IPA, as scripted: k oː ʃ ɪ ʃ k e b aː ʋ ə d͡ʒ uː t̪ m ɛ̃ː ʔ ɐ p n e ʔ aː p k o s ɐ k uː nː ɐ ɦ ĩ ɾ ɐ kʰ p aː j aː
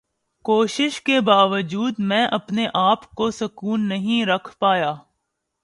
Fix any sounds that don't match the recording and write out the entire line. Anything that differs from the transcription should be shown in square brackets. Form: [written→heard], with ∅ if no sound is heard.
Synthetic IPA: k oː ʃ ɪ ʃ k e b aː ʋ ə d͡ʒ uː [t̪→d̪] m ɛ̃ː ʔ ɐ p n e ʔ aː p k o s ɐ k uː nː ɐ ɦ ĩ ɾ ɐ kʰ p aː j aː